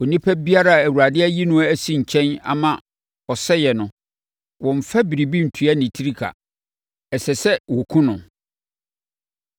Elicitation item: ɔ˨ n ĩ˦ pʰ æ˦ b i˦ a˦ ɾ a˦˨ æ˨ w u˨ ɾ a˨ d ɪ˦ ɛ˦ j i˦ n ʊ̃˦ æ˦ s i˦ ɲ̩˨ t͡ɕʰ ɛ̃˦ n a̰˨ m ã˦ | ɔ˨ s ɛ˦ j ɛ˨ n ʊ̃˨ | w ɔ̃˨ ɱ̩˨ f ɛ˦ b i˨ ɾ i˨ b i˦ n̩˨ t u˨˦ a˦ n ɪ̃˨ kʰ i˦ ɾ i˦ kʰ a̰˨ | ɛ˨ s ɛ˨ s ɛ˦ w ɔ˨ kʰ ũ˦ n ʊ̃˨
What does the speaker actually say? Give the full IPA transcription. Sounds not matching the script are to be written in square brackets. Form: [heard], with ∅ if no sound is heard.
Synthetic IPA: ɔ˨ n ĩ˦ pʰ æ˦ b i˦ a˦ ɾ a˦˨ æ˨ w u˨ ɾ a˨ d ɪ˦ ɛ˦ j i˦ n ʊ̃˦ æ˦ s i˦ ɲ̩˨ t͡ɕʰ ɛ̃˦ n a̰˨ m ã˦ | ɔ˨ s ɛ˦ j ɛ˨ n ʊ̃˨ | w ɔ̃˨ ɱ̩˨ f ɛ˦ b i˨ ɾ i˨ b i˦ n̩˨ [tʰ] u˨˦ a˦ n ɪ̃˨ [tʰ] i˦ ɾ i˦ kʰ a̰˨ | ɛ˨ s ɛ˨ s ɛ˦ w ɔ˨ kʰ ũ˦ n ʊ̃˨